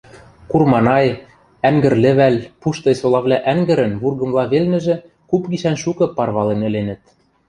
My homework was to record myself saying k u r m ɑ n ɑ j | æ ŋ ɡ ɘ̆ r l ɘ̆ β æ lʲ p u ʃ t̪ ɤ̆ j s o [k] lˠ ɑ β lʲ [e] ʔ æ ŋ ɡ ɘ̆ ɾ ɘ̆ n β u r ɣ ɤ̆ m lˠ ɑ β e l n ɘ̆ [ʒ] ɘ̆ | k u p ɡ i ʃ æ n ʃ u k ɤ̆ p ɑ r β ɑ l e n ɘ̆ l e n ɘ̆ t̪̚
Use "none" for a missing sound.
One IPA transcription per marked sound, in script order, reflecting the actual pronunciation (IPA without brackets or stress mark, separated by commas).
none, æ, ʒ